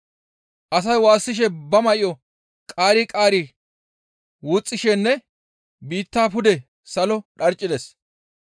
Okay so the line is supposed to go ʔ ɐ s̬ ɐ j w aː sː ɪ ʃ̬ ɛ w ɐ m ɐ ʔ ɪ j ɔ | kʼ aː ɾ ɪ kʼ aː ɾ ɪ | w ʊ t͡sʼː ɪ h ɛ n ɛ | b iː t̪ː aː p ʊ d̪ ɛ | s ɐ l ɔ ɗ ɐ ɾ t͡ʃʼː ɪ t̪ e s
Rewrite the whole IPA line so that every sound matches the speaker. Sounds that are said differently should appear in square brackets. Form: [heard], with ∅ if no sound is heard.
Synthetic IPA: ʔ ɐ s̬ ɐ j w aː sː ɪ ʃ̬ ɛ [b] ɐ m ɐ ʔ ɪ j ɔ | kʼ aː ɾ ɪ kʼ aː ɾ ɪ | w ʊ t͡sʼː ɪ [ʃ] ɛ [nː] ɛ | b iː t̪ː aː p ʊ d̪ ɛ | s ɐ l ɔ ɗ ɐ ɾ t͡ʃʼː ɪ [d̪] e s